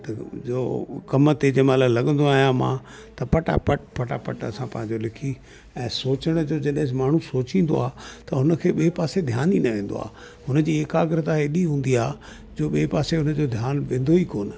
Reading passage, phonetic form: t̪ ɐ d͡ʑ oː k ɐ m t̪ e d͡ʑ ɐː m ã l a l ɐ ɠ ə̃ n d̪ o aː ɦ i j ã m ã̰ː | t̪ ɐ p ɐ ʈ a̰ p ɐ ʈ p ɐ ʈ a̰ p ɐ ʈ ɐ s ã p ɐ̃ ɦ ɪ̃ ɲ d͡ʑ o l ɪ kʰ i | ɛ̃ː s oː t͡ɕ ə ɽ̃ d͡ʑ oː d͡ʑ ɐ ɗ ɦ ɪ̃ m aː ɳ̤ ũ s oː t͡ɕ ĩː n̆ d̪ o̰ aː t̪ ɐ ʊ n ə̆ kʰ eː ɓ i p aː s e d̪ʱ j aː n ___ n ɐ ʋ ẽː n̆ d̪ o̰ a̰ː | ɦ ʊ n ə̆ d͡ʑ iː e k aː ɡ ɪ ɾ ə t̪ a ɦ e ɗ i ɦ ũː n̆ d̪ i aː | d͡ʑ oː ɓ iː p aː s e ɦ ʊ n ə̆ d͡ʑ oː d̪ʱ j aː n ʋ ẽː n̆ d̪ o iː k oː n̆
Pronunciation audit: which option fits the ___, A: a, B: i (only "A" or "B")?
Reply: B